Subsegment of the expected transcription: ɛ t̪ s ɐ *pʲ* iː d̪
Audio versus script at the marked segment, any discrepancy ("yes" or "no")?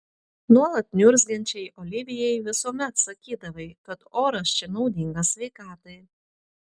yes